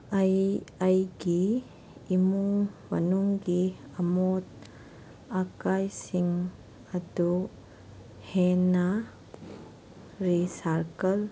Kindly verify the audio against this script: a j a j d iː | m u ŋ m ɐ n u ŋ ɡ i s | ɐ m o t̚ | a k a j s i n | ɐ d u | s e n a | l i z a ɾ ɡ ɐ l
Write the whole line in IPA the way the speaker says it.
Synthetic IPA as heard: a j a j ɡ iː | m u ŋ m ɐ n u ŋ ɡ i | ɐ m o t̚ | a k a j s i ŋ | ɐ d u | h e n a | ɾ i s a ɾ k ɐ l